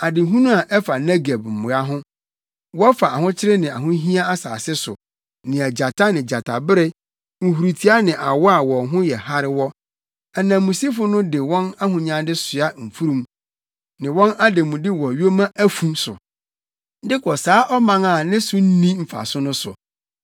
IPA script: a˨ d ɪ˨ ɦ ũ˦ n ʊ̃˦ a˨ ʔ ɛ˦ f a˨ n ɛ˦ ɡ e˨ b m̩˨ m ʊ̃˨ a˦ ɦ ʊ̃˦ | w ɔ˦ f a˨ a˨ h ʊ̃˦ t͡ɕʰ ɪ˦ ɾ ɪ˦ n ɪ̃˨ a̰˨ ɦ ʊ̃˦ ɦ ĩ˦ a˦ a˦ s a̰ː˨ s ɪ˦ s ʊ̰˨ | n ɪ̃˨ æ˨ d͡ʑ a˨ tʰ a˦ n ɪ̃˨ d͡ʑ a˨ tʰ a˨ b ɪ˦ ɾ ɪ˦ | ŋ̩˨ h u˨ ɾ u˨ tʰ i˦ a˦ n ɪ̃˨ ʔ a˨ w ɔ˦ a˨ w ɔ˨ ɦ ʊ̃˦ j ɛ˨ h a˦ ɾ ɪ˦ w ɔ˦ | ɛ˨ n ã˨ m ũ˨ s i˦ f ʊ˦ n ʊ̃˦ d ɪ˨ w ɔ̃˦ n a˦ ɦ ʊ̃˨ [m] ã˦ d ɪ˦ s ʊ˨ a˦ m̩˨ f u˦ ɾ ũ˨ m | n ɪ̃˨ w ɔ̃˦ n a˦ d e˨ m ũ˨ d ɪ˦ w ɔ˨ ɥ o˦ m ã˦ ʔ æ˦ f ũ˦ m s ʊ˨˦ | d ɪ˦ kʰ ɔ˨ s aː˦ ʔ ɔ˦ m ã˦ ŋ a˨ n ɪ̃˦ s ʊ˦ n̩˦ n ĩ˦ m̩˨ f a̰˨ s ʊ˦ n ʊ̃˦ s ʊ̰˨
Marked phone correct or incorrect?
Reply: incorrect